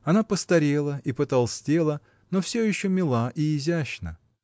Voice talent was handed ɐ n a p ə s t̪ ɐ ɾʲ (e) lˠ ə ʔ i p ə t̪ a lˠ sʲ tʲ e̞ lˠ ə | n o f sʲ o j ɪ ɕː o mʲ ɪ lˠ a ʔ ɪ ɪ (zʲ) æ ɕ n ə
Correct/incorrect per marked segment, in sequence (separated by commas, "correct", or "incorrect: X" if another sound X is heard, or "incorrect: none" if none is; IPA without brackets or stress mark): correct, correct